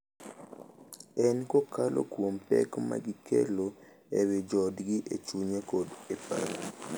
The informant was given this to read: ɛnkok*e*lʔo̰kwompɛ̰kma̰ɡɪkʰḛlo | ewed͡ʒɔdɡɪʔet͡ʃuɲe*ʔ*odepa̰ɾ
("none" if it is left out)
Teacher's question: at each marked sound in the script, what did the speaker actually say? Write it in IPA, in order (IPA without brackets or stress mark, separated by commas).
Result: a, k